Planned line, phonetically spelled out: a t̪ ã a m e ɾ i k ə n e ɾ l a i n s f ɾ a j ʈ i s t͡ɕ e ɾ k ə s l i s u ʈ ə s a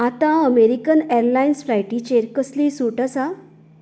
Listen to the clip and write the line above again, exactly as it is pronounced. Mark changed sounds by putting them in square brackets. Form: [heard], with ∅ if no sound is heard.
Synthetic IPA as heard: a t̪ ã [ə] m e ɾ i k ə n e ɾ l a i n s f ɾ a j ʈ i [∅] t͡ɕ e ɾ k ə s l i s u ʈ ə s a